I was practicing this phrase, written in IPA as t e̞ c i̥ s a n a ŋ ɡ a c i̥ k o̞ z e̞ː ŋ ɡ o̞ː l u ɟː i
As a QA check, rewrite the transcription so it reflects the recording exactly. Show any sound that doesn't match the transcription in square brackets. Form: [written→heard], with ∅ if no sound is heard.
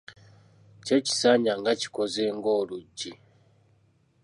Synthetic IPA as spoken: [t→c] e̞ c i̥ s a [n→ɲ] a ŋ ɡ a c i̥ k o̞ z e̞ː ŋ ɡ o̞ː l u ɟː i